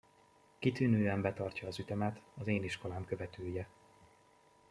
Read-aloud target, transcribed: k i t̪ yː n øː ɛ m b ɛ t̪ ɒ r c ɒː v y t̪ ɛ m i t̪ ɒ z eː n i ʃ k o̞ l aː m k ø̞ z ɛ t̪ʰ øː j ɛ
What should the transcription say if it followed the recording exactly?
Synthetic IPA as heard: k i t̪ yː n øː ɛ m b ɛ t̪ ɒ r c ɒː z y t̪ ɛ m ɛ t̪ ɒ z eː n i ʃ k o̞ l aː m k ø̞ v ɛ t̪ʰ øː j ɛ